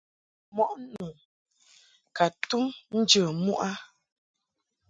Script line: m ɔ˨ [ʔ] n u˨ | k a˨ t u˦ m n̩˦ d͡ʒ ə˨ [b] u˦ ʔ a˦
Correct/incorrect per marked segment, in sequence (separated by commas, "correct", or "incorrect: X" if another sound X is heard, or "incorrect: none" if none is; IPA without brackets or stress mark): correct, incorrect: m